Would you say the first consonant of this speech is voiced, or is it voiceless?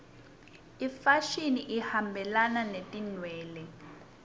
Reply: voiceless